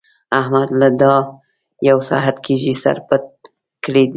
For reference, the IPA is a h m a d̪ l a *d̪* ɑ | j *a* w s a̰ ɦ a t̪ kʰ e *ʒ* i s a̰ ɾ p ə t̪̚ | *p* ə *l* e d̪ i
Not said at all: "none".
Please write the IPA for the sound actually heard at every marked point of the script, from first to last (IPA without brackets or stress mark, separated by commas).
d̪, a, ʒ, k, ɽ